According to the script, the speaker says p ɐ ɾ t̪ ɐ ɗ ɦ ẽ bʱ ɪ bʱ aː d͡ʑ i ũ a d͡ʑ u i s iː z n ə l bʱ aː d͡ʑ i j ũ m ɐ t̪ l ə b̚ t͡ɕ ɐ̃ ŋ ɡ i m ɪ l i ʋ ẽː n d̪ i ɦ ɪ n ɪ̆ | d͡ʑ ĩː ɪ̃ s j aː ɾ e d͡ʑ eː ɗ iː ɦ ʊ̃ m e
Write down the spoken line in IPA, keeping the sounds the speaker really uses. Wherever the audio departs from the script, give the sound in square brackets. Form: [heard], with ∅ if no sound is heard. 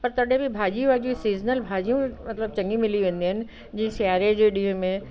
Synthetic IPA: p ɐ ɾ t̪ ɐ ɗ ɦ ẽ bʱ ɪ bʱ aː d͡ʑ i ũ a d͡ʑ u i s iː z n ə l bʱ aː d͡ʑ i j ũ m ɐ t̪ l ə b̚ t͡ɕ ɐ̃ ŋ ɡ i m ɪ l i ʋ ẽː n d̪ i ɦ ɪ n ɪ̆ | d͡ʑ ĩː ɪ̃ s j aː ɾ e d͡ʑ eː ɗ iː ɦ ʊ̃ m [ẽ]